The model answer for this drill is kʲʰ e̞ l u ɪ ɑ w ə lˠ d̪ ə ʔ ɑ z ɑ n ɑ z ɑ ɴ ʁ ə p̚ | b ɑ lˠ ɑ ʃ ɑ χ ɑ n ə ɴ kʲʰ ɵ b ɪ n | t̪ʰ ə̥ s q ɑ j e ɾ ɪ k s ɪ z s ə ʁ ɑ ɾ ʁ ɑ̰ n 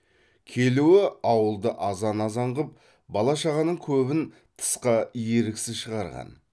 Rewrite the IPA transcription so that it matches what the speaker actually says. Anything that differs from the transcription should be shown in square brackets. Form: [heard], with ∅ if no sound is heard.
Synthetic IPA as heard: kʲʰ e̞ l u ɪ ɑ w ə lˠ d̪ ə ʔ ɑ z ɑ n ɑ z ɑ ɴ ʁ ə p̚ | b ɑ lˠ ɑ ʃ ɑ [ʁ] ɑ n ə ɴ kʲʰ ɵ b ɪ n | t̪ʰ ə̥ s q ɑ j e ɾ ɪ k s ɪ z [ʃ] ə ʁ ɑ ɾ ʁ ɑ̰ n